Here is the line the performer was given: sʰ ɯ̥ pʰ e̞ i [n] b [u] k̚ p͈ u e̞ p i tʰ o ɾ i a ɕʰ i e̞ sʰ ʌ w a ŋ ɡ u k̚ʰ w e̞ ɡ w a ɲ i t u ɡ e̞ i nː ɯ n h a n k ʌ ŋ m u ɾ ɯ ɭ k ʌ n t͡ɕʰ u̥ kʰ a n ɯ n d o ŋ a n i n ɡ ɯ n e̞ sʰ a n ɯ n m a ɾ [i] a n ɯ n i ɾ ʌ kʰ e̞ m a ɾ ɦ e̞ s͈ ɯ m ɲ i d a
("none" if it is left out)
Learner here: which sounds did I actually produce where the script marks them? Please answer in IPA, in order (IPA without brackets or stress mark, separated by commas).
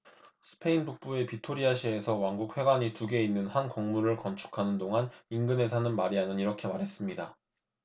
n, u, i